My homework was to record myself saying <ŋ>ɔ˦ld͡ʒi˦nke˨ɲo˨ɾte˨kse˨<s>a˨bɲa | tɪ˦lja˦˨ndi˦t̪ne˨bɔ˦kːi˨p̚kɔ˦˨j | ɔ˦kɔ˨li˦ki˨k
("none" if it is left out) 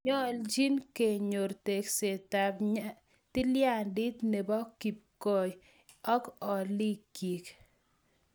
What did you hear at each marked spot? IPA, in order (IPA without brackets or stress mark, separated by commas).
ɲ, t